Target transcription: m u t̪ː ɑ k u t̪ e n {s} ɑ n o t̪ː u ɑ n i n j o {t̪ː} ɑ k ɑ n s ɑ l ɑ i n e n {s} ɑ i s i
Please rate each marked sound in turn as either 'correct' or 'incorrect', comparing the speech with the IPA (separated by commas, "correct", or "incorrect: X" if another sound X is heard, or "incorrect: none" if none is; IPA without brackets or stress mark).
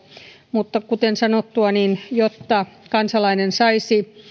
correct, correct, correct